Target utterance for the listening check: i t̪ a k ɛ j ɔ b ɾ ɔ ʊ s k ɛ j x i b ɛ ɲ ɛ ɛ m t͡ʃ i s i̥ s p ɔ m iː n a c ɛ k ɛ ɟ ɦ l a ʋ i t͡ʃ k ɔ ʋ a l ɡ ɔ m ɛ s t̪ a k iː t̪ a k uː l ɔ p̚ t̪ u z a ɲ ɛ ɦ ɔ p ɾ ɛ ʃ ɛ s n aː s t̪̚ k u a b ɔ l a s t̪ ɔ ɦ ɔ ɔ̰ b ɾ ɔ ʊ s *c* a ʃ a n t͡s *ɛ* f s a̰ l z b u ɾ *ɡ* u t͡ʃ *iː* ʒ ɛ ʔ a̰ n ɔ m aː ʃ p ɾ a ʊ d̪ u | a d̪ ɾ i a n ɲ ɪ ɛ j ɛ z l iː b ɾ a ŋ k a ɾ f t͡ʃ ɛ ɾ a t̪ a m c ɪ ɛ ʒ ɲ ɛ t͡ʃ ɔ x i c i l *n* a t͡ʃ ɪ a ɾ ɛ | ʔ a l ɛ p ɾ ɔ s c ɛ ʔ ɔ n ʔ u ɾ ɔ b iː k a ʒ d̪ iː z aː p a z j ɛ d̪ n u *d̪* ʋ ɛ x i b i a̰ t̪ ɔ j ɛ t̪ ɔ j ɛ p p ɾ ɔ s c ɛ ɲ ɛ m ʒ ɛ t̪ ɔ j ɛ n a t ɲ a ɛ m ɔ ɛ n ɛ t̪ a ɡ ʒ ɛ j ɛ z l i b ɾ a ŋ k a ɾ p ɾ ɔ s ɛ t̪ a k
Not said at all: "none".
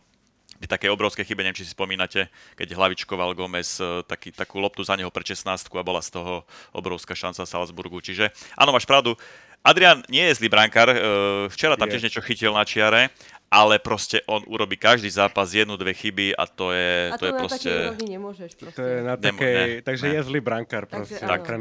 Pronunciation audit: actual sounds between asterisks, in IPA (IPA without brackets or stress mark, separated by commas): k, a, ɡ, i, n, d̪